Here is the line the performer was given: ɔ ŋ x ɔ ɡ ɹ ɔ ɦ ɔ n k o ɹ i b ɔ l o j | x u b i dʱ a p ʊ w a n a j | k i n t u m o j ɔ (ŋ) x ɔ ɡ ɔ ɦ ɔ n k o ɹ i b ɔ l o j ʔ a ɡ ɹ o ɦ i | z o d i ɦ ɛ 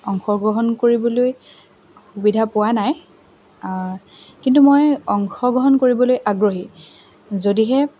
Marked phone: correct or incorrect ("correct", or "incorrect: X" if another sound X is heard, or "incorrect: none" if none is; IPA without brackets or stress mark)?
correct